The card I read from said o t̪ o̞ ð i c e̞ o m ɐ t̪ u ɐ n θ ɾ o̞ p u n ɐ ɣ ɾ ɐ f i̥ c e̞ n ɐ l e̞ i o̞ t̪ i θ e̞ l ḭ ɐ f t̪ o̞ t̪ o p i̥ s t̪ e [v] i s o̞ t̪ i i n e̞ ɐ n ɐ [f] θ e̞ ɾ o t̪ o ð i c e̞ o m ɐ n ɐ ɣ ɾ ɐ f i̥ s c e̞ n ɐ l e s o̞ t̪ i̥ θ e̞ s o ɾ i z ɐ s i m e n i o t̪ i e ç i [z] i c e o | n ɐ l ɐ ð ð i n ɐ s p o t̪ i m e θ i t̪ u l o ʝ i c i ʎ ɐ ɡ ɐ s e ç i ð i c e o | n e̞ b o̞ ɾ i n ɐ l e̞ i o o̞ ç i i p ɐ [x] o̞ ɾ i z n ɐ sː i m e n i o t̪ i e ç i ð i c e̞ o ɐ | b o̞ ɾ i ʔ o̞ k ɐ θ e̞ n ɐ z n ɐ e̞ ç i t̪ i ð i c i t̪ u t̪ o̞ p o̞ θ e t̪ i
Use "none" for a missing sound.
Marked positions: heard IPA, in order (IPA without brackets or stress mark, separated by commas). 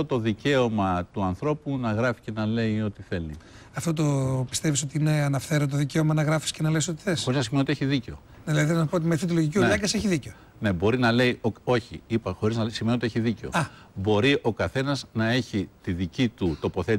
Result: v, f, ð, x